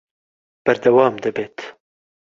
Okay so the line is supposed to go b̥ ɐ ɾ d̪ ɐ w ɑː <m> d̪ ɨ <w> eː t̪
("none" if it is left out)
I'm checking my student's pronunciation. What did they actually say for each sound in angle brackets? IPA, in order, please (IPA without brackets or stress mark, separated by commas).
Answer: m, b